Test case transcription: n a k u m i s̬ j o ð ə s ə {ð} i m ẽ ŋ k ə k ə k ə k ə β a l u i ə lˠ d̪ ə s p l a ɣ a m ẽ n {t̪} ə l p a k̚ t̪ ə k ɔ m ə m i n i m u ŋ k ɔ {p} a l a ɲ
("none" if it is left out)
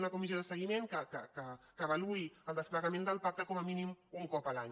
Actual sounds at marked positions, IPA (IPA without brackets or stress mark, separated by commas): ɣ, d̪, p